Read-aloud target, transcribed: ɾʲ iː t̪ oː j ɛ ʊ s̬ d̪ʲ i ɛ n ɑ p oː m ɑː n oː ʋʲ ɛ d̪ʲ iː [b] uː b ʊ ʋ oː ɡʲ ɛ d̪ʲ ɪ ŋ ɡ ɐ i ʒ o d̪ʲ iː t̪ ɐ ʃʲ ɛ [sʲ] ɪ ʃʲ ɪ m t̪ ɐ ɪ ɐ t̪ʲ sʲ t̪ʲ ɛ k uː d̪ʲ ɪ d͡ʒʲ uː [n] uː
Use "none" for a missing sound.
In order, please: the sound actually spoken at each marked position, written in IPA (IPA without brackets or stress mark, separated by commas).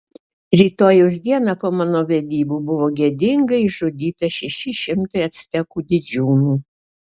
b, ʃʲ, n